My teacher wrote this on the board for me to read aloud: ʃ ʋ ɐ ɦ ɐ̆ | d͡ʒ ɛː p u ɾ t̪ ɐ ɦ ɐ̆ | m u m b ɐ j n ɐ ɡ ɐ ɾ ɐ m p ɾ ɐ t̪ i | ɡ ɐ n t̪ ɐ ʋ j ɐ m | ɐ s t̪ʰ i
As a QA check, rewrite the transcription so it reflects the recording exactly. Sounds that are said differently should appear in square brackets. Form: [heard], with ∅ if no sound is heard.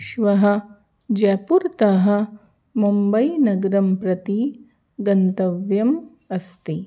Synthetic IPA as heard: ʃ ʋ ɐ ɦ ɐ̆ | d͡ʒ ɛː p u ɾ t̪ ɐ ɦ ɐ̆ | m u m b ɐ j n ɐ ɡ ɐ ɾ ɐ m p ɾ ɐ t̪ i | ɡ ɐ n t̪ ɐ ʋ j ɐ m | ɐ s [t̪] i